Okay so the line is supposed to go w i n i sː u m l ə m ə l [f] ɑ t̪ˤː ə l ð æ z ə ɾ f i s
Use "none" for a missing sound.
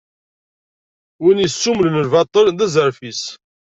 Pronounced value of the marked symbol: v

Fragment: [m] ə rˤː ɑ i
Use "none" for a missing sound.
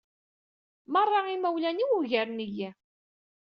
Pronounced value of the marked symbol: m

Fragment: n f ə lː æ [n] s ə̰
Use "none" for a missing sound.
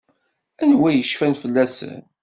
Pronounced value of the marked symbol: none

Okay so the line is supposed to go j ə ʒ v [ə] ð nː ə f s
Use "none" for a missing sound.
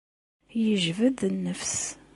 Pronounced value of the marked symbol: ə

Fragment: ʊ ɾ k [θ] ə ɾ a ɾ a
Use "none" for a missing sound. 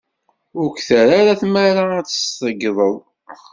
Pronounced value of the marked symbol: θ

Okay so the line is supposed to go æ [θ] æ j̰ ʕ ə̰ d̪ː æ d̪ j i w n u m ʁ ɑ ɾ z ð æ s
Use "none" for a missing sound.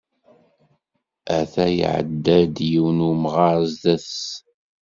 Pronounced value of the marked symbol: θ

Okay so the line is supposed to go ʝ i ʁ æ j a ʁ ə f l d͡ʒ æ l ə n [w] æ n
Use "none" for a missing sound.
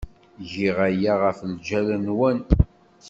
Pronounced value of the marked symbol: w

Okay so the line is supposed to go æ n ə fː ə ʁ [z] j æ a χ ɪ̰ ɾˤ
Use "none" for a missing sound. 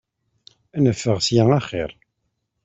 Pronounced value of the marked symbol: s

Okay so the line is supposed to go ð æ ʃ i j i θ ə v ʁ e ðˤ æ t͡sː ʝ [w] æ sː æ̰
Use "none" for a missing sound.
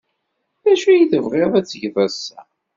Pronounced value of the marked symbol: v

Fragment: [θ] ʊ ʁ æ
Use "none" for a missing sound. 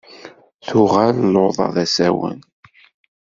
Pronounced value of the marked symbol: θ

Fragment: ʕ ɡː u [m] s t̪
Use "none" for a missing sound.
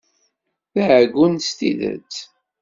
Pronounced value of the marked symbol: n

